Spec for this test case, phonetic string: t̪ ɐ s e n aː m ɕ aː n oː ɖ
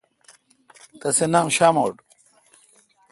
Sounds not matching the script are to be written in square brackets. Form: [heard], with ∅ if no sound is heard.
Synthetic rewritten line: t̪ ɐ s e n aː m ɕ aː [m] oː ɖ